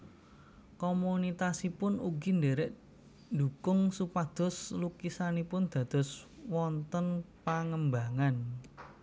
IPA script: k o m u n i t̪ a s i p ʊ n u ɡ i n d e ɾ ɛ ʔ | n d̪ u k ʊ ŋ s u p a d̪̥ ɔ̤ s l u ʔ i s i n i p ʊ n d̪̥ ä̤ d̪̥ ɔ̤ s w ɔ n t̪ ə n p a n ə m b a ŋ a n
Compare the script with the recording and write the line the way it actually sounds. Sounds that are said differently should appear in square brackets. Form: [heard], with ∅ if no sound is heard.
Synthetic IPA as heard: k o m u n i t̪ a s i p ʊ n u ɡ i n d e ɾ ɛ ʔ | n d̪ u k ʊ ŋ s u p a d̪̥ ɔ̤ s l u [k] i s [a] n i p ʊ n d̪̥ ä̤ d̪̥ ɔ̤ s w ɔ n t̪ ə n p a [ŋ] ə m b a ŋ a n